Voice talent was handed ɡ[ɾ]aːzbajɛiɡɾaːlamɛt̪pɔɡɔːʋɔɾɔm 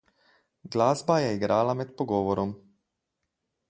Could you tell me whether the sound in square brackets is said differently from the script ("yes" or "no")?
yes